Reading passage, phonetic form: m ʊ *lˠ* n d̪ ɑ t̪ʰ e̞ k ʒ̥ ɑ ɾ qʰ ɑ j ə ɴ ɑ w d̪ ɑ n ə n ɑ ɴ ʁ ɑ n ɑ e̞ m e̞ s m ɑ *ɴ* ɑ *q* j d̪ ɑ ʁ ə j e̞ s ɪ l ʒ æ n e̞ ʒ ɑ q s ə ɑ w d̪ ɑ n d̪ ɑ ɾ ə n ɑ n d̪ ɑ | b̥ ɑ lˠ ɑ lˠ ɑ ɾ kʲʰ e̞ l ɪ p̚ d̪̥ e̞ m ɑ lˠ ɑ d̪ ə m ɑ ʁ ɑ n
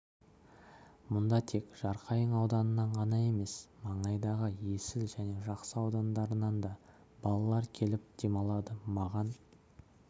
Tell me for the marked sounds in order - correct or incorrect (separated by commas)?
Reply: incorrect, correct, incorrect